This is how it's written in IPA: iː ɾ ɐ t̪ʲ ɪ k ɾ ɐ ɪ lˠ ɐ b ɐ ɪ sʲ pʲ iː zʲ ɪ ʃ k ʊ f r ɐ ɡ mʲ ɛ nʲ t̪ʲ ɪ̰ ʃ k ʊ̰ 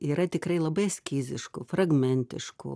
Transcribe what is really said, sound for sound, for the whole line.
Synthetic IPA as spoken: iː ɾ ɐ t̪ʲ ɪ k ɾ ɐ ɪ lˠ ɐ b ɐ ɪ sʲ kʲ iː zʲ ɪ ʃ k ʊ f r ɐ ɡ mʲ ɛ nʲ t̪ʲ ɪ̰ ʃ k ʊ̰

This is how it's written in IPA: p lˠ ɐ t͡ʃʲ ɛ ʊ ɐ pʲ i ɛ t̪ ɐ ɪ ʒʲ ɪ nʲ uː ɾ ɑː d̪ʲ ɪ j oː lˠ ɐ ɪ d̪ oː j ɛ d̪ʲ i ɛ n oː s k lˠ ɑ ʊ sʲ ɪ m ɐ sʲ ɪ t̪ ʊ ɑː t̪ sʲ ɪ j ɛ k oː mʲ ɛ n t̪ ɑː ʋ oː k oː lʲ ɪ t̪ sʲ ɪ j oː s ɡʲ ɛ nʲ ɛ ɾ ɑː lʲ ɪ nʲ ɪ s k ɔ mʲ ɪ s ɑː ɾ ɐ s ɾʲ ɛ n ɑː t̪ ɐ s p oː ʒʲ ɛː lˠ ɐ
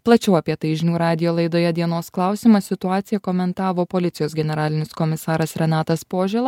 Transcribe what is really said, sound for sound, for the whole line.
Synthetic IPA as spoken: p lˠ ɐ t͡ʃʲ ɛ ʊ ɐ pʲ i ɛ t̪ ɐ ɪ ʒʲ ɪ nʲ uː ɾ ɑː d̪ʲ ɪ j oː lˠ ɐ ɪ d̪ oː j ɛ d̪ʲ i ɛ n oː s k lˠ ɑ ʊ sʲ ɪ m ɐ sʲ ɪ t̪ ʊ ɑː t̪ sʲ ɪ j ɛ k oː mʲ ɛ n t̪ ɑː ʋ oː p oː lʲ ɪ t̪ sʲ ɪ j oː s ɡʲ ɛ nʲ ɛ ɾ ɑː lʲ ɪ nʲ ɪ s k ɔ mʲ ɪ s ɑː ɾ ɐ s ɾʲ ɛ n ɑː t̪ ɐ s p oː ʒʲ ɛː lˠ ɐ

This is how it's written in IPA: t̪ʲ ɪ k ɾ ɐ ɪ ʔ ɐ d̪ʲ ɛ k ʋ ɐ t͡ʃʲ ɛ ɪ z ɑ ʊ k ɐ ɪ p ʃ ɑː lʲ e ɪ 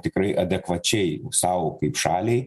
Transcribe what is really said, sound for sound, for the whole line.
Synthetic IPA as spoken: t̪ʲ ɪ k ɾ ɐ ɪ ʔ ɐ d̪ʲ ɛ k ʋ ɐ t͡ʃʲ ɛ ɪ s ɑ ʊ k ɐ ɪ p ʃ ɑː lʲ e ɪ

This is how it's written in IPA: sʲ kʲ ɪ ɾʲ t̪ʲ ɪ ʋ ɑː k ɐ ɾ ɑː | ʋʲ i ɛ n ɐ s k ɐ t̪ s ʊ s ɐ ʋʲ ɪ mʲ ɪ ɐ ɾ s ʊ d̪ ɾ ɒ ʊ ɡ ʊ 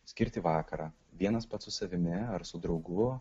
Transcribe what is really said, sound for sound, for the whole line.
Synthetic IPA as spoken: sʲ kʲ ɪ ɾʲ t̪ʲ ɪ ʋ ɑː k ɐ ɾ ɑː | ʋʲ i ɛ n ɐ s p ɐ t̪ s ʊ s ɐ ʋʲ ɪ mʲ ɪ ɐ ɾ s ʊ d̪ ɾ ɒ ʊ ɡ ʊ

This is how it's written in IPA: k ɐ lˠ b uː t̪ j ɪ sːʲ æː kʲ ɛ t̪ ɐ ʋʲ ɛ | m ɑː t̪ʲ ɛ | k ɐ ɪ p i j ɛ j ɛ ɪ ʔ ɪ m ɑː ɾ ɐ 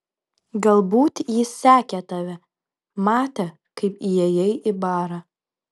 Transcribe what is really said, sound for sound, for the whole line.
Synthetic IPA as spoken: ɡ ɐ lˠ b uː t̪ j ɪ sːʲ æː kʲ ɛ t̪ ɐ ʋʲ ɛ | m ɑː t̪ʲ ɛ | k ɐ ɪ p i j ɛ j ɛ ɪ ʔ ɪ b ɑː ɾ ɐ

